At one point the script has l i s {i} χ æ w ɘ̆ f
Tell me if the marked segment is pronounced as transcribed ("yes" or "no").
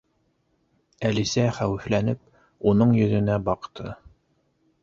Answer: no